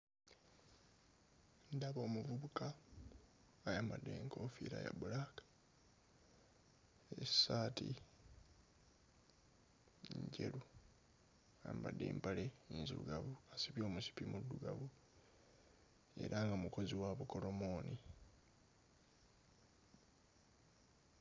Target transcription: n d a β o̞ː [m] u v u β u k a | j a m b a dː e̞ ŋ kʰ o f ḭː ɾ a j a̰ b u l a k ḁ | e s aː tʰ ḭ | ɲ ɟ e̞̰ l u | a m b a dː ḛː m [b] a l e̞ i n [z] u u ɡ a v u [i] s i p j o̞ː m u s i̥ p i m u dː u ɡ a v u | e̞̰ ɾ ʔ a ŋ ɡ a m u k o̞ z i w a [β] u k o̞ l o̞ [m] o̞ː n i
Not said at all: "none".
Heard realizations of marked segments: m, p, z, a, β, m

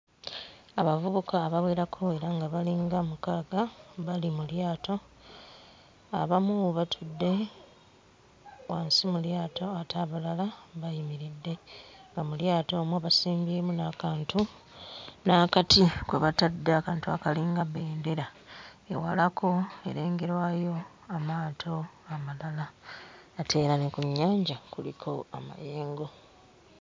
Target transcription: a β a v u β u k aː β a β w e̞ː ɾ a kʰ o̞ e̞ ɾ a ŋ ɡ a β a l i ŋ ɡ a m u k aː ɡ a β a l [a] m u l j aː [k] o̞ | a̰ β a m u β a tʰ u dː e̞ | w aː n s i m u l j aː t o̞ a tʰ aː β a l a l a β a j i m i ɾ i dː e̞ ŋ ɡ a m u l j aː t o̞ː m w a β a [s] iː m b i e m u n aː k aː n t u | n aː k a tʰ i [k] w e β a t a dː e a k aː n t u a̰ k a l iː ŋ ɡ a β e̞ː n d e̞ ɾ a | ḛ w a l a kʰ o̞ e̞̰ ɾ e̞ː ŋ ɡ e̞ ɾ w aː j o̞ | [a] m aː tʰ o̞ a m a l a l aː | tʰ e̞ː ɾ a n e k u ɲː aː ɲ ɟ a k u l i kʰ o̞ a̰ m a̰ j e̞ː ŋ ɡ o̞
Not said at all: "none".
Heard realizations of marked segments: i, t, s, k, a

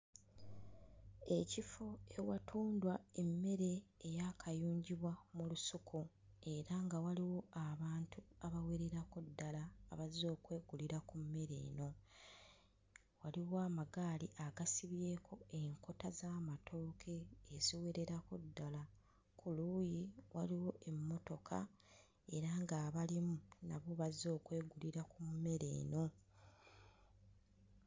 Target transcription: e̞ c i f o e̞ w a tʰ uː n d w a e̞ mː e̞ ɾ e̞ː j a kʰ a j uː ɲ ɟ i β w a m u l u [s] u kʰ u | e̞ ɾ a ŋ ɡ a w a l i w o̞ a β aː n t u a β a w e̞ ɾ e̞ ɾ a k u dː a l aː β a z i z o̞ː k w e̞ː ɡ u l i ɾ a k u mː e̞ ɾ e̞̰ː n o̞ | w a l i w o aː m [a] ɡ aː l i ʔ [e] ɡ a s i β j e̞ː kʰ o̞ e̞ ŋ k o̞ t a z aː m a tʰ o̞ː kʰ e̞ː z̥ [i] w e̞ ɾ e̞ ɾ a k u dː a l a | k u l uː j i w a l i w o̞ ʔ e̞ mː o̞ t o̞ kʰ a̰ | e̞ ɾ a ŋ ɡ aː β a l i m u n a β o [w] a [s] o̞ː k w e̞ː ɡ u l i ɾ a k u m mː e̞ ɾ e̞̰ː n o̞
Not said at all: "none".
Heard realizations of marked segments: s, a, a, i, β, z

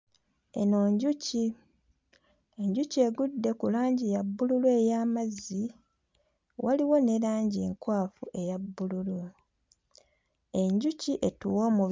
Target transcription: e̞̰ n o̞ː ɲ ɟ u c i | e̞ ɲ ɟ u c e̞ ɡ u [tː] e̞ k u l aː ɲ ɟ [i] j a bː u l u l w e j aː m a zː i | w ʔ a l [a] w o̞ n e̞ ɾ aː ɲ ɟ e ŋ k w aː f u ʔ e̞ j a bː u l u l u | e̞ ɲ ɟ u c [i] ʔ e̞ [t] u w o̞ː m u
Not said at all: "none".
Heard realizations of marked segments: dː, i, i, i, t

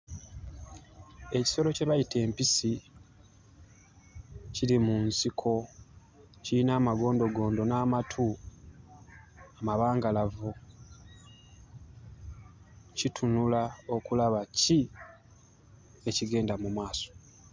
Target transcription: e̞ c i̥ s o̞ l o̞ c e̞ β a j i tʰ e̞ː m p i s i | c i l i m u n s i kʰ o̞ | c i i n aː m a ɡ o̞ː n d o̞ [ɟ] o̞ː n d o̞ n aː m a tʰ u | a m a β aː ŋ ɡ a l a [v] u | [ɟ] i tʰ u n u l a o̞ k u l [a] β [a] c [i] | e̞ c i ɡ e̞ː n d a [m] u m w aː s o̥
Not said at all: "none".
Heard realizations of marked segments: ɡ, v, c, a, a, i, m

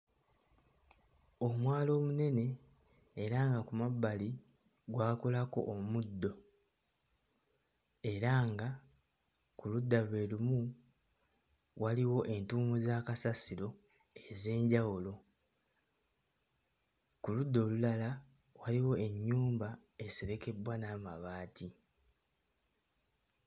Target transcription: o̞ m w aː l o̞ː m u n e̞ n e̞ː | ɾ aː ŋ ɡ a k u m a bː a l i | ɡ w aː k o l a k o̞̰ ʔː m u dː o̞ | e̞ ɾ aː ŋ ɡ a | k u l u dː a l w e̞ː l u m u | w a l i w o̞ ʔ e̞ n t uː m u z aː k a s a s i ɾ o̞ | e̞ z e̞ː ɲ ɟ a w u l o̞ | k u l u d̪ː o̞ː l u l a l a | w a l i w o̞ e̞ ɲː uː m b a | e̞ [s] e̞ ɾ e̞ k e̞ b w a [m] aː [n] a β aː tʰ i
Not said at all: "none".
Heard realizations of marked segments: s, n, m

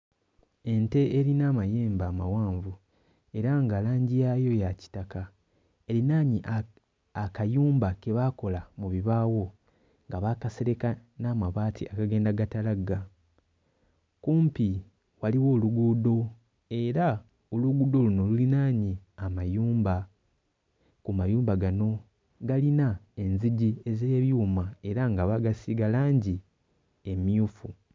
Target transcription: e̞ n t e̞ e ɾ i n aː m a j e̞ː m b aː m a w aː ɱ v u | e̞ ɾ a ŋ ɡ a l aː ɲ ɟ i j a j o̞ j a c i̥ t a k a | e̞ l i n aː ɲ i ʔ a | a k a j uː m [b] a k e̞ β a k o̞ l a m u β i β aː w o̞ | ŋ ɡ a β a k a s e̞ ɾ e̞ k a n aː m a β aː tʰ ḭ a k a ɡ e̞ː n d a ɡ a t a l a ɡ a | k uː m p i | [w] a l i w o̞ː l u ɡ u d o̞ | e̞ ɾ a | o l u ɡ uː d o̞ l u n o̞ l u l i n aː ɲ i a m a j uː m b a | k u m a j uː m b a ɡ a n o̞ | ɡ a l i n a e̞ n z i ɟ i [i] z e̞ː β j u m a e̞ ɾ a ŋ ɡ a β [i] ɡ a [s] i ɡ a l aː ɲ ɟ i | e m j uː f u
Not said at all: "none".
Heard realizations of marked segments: b, w, e, a, s

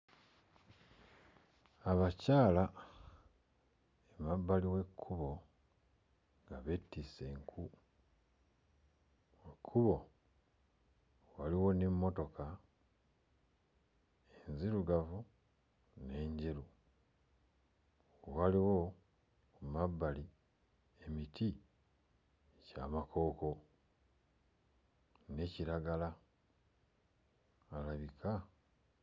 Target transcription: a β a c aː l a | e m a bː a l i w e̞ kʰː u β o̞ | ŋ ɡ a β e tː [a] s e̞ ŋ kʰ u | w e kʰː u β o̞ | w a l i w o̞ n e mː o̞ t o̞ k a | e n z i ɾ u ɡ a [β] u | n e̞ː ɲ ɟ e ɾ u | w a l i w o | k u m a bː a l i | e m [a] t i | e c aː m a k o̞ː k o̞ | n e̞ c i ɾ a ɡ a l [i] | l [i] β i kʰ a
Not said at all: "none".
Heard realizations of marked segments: i, v, i, a, a

